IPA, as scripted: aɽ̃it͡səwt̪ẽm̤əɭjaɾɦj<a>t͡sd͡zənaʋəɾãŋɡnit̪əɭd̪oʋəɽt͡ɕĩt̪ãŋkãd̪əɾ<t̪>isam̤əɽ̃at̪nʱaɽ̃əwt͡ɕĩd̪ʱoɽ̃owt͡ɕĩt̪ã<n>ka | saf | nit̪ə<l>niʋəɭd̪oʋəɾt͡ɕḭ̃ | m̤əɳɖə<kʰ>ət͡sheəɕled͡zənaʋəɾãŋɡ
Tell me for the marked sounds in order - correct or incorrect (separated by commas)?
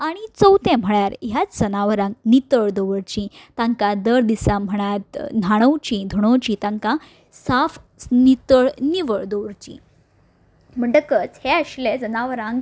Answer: correct, incorrect, incorrect, incorrect, incorrect